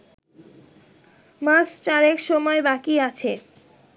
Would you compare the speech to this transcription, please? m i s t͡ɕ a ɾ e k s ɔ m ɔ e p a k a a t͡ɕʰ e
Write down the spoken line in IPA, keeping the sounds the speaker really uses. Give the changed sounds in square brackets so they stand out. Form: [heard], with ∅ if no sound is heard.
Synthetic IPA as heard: m [a] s t͡ɕ a ɾ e k [ʃ] ɔ m ɔ e [b] a k [i] a t͡ɕʰ e